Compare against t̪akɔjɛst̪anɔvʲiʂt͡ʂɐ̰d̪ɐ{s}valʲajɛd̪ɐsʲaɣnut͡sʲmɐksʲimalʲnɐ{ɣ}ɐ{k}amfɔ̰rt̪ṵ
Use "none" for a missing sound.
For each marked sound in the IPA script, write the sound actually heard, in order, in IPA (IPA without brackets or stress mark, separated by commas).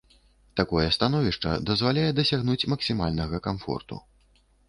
z, ɣ, k